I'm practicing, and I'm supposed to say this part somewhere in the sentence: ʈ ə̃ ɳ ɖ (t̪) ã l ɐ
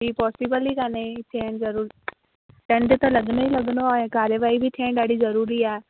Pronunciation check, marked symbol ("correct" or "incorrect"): correct